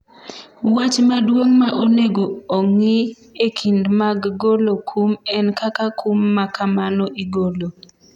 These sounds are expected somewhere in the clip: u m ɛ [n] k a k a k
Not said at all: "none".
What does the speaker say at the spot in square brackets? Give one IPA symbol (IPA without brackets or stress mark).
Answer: n